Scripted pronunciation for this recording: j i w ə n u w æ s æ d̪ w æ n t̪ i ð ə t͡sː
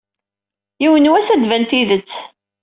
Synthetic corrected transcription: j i w ə n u w æ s æ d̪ v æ n t̪ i ð ə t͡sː